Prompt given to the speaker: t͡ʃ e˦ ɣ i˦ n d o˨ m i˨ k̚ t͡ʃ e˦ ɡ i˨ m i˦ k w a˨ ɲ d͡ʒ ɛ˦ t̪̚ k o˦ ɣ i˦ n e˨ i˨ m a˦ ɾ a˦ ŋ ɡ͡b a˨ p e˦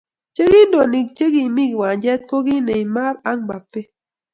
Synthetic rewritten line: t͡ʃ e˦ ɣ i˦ n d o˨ n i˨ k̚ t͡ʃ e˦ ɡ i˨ m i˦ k w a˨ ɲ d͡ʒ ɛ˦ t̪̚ k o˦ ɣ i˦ n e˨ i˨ m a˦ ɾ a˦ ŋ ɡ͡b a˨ p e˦